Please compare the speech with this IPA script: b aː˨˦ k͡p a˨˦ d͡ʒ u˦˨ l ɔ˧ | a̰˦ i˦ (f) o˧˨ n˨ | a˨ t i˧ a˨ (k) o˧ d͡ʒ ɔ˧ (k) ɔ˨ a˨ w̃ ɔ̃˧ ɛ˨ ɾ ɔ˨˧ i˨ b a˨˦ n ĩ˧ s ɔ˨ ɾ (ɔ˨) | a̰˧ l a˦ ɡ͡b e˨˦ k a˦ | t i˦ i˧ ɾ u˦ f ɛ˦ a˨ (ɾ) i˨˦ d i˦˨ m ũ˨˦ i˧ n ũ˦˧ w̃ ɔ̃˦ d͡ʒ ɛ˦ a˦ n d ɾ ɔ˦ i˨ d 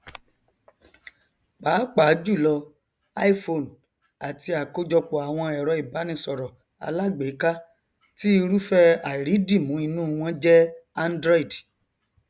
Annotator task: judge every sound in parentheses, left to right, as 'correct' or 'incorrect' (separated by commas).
correct, correct, incorrect, correct, correct